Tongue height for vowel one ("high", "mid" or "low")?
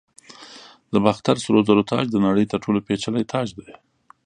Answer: mid